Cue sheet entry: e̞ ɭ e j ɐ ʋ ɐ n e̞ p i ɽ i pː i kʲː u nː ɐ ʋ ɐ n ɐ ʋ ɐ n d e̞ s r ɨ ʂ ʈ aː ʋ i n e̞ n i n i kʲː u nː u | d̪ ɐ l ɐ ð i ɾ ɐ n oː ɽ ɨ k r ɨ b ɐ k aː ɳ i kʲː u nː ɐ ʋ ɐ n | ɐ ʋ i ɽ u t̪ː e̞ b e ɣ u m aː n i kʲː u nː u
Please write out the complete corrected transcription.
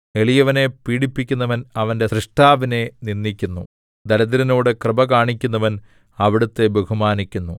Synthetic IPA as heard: e̞ ɭ i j ɐ ʋ ɐ n e̞ p iː ɽ i pː i kʲː u nː ɐ ʋ ɐ n ɐ ʋ ɐ n d e̞ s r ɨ ʂ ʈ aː ʋ i n e̞ n i nː i kʲː u nː u | d̪ ɐ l ɐ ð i ɾ ɐ n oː ɽ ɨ k r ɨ b ɐ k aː ɳ i kʲː u nː ɐ ʋ ɐ n | ɐ ʋ i ɽ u t̪ː e̞ b e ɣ u m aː n i kʲː u nː u

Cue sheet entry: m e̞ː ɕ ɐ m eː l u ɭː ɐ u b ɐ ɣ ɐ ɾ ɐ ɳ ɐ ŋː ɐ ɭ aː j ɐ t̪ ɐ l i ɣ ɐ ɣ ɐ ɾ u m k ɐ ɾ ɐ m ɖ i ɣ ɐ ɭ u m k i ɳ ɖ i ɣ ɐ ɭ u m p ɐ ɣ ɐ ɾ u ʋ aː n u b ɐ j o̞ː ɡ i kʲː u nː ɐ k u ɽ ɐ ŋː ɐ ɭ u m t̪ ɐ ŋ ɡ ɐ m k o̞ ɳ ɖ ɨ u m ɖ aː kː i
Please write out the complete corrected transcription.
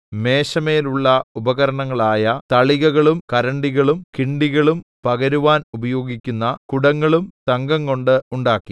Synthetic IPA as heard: m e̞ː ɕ ɐ m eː l u ɭː ɐ u b ɐ ɣ ɐ ɾ ɐ ɳ ɐ ŋː ɐ ɭ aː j ɐ t̪ ɐ ɭ i ɣ ɐ ɣ ɐ ɭ u m k ɐ ɾ ɐ ɳ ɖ i ɣ ɐ ɭ u m k i ɳ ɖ i ɣ ɐ ɭ u m p ɐ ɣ ɐ ɾ u ʋ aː n u b ɐ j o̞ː ɡ i kʲː u nː ɐ k u ɽ ɐ ŋː ɐ ɭ u m t̪ ɐ ŋ ɡ ɐ ŋ k o̞ ɳ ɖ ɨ u ɳ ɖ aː kː i

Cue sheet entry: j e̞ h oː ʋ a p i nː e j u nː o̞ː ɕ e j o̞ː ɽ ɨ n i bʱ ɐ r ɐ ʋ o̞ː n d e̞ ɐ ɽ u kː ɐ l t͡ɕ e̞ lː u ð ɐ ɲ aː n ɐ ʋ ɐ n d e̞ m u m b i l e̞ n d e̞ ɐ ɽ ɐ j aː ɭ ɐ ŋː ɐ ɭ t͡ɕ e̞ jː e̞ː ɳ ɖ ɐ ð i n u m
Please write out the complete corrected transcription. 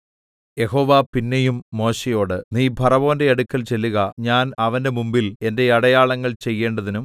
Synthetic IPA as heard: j e̞ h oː ʋ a p i nː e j u mː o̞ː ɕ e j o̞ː ɽ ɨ n iː bʱ ɐ r ɐ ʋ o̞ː n d e̞ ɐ ɽ u kː ɐ l t͡ɕ e̞ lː u ɣ ɐ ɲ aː n ɐ ʋ ɐ n d e̞ m u m b i l e̞ n d e̞ ɐ ɽ ɐ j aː ɭ ɐ ŋː ɐ ɭ t͡ɕ e̞ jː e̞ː ɳ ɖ ɐ ð i n u m

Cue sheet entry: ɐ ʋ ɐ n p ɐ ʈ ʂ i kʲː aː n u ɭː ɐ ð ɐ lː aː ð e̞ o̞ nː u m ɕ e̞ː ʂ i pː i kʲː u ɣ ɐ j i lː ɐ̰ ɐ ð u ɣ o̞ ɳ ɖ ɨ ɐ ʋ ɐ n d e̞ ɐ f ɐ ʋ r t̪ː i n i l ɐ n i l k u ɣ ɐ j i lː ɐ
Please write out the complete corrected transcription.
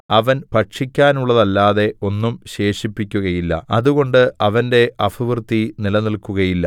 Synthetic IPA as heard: ɐ ʋ ɐ n p ɐ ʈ ʂ i kʲː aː n u ɭː ɐ ð ɐ lː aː ð e̞ o̞ nː u m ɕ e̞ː ʂ i pː i kʲː u ɣ ɐ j i lː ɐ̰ ɐ ð u ɣ o̞ ɳ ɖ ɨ ɐ ʋ ɐ n d e̞ ɐ f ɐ ʋ r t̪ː i n i l ɐ n i l k u ɣ ɐ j i lː ɐ

